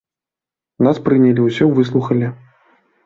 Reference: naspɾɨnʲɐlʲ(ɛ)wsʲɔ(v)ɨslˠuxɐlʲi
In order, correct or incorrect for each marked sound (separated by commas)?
incorrect, correct